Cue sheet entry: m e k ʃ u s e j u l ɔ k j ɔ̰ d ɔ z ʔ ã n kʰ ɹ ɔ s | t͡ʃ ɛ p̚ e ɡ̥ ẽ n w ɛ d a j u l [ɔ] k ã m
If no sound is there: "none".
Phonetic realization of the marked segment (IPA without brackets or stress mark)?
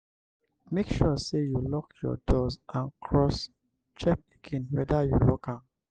ɔ